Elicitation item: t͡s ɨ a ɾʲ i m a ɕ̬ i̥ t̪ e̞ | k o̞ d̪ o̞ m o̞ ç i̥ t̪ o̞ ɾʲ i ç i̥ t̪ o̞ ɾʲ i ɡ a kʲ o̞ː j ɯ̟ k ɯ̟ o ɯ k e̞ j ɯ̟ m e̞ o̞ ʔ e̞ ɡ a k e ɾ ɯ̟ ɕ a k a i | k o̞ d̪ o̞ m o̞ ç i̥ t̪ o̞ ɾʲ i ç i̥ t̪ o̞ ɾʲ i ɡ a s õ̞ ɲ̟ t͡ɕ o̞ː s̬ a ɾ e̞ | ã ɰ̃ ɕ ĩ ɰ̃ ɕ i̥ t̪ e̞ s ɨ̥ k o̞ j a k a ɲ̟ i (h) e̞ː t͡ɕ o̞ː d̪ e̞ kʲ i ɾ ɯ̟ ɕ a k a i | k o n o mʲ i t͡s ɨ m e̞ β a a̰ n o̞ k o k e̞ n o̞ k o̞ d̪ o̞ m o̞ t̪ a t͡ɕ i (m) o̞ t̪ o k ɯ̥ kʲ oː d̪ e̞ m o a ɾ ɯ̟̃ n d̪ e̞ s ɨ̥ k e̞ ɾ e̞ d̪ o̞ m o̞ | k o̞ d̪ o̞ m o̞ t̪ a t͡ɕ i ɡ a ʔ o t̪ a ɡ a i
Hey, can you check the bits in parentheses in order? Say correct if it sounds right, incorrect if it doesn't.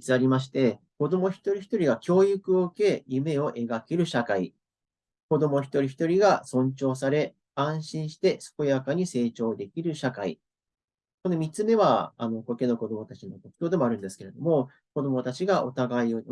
incorrect: s, incorrect: n

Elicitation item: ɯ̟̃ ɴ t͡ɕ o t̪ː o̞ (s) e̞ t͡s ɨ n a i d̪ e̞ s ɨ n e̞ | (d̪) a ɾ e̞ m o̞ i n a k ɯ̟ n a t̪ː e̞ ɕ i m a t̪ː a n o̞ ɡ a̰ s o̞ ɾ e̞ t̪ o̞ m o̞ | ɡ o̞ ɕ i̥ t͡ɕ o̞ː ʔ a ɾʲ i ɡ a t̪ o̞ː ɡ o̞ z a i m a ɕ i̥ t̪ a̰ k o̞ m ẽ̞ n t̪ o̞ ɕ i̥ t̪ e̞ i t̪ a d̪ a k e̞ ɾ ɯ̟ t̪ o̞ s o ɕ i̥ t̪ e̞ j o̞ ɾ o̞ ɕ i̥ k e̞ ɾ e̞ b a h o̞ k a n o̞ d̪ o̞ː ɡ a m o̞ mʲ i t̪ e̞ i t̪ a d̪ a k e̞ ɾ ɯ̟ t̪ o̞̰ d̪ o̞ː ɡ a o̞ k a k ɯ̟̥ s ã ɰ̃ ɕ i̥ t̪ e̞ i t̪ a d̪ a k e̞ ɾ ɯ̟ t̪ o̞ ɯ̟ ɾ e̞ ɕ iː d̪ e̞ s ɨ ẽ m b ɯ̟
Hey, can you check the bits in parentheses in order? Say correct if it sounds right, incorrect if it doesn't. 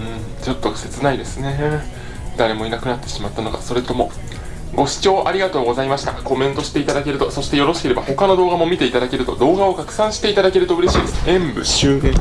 correct, correct

